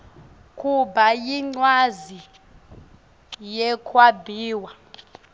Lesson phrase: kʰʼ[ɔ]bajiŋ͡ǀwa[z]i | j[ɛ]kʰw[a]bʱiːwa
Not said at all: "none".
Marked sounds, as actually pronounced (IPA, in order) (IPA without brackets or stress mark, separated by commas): u, z, ɛ, a